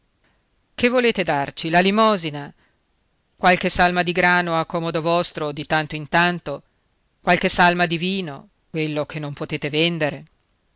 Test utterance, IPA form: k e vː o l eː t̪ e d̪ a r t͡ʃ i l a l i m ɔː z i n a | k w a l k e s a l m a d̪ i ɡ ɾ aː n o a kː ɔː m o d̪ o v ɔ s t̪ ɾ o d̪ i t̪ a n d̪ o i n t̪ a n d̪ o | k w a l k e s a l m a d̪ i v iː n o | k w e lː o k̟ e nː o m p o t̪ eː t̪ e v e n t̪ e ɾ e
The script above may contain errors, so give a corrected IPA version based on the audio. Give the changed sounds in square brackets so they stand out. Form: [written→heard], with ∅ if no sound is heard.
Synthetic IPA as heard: k e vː o l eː t̪ e d̪ a r t͡ʃ i l a l i m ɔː z i n a | k w a l k e s a l m a d̪ i ɡ ɾ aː n o a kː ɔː m o d̪ o v ɔ s t̪ ɾ o d̪ i t̪ a n [d̪→t̪] o i n t̪ a n [d̪→t̪] o | k w a l k e s a l m a d̪ i v iː n o | k w e lː o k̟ e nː o m p o t̪ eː t̪ e v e n [t̪→d̪] e ɾ e